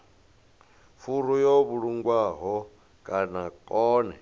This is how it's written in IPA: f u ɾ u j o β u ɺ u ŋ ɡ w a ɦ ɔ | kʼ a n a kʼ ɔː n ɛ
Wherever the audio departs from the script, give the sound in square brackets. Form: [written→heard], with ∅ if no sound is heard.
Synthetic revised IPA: f u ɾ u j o β u ɺ u ŋ ɡ w a ɦ ɔ | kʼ a n a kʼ ɔː n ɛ